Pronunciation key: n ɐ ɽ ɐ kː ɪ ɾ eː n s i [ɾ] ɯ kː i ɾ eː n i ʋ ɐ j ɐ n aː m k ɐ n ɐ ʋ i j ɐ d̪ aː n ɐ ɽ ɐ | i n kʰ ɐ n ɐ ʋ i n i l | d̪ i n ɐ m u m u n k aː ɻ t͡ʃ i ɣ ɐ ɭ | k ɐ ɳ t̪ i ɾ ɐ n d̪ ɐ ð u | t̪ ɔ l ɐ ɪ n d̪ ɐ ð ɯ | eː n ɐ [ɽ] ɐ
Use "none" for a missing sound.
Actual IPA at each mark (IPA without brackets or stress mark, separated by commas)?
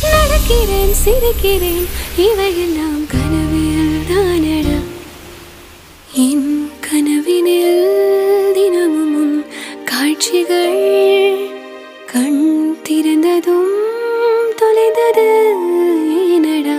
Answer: ɾ, ɽ